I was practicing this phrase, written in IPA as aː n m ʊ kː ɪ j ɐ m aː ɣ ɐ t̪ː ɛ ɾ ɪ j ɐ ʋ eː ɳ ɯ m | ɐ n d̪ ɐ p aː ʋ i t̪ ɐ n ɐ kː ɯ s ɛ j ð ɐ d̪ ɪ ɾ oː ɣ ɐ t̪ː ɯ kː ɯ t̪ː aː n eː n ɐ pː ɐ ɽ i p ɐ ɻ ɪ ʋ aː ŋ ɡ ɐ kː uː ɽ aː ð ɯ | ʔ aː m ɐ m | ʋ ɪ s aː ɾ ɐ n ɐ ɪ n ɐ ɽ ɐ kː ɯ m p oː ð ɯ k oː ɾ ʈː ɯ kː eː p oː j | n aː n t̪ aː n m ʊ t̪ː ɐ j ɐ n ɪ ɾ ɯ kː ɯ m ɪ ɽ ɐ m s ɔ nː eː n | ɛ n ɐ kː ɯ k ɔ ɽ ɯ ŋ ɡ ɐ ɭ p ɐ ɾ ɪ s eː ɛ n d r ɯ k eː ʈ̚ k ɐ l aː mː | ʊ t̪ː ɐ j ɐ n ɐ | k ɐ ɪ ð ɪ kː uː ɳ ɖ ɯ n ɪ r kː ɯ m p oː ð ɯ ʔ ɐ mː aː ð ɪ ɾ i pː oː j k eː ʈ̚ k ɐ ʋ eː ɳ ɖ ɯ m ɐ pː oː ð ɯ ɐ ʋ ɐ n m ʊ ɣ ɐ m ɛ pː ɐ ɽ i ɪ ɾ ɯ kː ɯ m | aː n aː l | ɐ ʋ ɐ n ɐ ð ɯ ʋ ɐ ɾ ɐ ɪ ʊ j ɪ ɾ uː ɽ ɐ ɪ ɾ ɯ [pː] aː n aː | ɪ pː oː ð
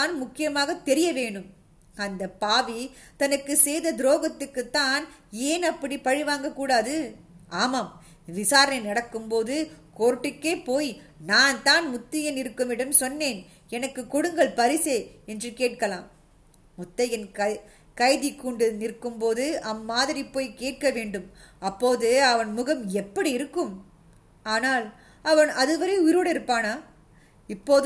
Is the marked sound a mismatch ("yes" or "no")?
no